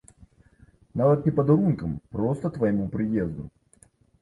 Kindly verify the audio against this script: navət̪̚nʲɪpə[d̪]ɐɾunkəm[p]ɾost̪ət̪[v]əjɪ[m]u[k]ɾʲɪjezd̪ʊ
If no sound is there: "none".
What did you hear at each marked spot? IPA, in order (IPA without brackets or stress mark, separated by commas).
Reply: d̪, p, v, m, p